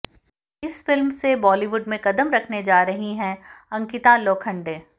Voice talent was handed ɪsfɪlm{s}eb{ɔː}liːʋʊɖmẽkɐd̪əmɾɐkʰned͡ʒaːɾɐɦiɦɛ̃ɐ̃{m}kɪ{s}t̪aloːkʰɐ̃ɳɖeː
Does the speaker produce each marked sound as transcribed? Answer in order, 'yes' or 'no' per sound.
yes, yes, no, no

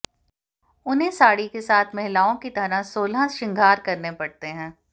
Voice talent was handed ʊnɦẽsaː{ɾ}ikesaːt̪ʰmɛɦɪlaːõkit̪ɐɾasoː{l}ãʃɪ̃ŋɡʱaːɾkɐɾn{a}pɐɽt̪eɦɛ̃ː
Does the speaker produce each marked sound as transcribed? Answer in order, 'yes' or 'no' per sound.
no, yes, no

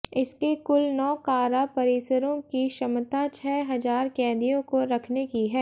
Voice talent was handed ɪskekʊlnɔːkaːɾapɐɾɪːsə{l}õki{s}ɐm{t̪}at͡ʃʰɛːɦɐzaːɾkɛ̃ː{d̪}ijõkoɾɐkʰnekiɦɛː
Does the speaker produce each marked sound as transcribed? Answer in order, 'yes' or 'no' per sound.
no, no, yes, yes

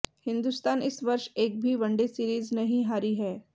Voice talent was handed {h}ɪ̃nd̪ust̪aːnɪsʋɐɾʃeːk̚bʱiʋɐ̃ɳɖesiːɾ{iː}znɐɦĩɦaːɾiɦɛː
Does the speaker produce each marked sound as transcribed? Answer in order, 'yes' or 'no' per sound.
yes, yes

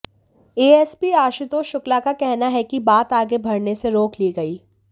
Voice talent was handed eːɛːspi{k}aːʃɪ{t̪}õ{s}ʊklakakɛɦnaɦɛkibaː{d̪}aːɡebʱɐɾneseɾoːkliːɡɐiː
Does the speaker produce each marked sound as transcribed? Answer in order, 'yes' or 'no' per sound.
no, yes, no, no

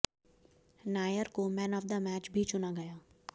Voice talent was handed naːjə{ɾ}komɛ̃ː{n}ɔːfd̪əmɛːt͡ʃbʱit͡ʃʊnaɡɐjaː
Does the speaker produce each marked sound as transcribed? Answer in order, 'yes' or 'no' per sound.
yes, yes

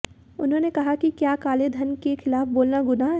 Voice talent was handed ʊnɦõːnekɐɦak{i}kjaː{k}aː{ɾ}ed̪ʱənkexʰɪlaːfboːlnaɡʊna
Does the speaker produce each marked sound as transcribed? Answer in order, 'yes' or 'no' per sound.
yes, yes, no

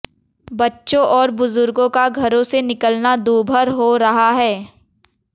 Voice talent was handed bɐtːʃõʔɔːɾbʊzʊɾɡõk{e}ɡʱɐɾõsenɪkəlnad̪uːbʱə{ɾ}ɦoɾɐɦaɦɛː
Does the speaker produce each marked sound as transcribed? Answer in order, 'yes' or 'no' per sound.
no, yes

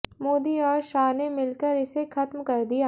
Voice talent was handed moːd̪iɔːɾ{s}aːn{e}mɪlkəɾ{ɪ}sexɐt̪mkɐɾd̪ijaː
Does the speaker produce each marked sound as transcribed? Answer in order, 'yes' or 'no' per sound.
no, yes, yes

